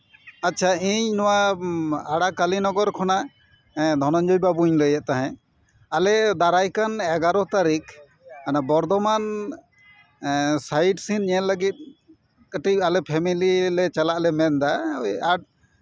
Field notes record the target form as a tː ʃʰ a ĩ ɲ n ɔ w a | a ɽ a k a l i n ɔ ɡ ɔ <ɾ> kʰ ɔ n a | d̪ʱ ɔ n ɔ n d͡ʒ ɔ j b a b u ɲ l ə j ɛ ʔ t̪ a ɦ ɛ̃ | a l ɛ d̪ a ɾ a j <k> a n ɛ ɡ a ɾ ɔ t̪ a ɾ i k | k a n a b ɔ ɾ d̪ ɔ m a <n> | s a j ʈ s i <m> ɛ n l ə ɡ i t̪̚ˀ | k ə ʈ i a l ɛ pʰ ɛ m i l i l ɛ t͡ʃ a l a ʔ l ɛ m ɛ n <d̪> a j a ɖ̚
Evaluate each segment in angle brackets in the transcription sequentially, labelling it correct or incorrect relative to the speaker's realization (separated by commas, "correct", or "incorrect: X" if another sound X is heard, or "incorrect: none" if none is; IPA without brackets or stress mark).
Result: correct, correct, correct, incorrect: n, correct